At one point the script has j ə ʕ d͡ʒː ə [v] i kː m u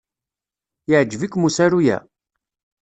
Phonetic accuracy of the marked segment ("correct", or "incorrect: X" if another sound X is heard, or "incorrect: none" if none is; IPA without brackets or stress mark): correct